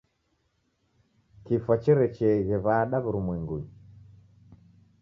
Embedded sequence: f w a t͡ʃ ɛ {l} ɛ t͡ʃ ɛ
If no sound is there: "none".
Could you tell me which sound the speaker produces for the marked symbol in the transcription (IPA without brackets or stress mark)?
ɾ